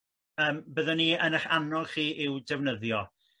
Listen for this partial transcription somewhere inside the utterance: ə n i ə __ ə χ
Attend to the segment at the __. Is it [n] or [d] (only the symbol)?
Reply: n